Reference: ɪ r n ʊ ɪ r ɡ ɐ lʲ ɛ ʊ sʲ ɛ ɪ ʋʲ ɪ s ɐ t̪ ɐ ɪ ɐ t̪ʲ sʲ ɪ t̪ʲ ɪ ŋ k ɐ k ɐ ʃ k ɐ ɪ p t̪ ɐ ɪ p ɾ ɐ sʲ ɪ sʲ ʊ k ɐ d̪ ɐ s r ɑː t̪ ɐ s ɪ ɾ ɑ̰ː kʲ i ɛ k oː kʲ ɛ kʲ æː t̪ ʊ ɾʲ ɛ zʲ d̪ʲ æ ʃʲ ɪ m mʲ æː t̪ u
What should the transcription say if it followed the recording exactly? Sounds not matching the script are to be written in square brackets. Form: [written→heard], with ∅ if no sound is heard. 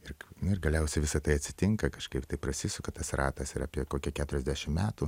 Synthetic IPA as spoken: ɪ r n ʊ ɪ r ɡ ɐ lʲ ɛ ʊ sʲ ɛ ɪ ʋʲ ɪ s ɐ t̪ ɐ ɪ ɐ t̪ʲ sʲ ɪ t̪ʲ ɪ ŋ k ɐ k ɐ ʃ k ɐ ɪ p t̪ ɐ ɪ p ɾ ɐ sʲ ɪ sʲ ʊ k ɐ [d̪→t̪] ɐ s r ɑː t̪ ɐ s ɪ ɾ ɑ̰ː [kʲ→pʲ] i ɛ k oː kʲ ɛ kʲ æː t̪ ʊ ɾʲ ɛ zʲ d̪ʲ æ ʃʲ ɪ m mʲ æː t̪ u